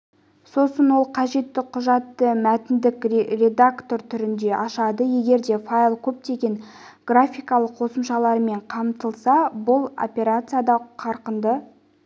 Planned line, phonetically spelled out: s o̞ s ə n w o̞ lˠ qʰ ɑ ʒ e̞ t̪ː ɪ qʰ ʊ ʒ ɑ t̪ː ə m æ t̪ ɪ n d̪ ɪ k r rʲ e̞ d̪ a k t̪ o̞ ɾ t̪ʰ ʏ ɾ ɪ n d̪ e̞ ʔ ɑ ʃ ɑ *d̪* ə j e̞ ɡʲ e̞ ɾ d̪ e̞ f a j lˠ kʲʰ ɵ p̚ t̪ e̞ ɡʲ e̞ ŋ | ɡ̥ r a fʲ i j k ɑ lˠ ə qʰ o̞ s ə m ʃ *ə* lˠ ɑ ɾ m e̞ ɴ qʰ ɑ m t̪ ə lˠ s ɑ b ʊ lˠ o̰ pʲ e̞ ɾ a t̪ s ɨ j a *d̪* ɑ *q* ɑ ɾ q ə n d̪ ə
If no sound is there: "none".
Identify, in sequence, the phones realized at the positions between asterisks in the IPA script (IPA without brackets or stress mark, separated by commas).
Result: d̪, ɑ, d̪, qʰ